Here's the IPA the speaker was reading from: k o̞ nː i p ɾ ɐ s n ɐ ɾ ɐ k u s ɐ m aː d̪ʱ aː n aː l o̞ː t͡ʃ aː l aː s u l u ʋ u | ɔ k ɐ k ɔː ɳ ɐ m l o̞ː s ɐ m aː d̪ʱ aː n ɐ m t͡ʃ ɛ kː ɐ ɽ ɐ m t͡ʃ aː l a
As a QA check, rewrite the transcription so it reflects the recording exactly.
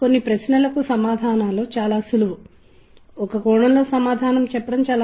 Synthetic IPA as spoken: k o̞ nː i p ɾ ɐ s n ɐ l ɐ k u s ɐ m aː d̪ʱ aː n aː l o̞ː t͡ʃ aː l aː s u l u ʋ u | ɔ k ɐ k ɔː ɳ ɐ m l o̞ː s ɐ m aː d̪ʱ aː n ɐ m t͡ʃ ɛ pː ɐ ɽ ɐ m t͡ʃ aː l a